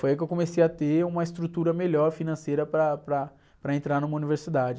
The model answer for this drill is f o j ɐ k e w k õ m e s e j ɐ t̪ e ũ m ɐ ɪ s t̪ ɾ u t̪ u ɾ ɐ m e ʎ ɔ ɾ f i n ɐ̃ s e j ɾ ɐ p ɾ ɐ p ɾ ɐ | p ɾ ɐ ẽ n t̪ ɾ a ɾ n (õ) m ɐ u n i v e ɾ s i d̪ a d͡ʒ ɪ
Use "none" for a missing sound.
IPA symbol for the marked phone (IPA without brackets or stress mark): ũ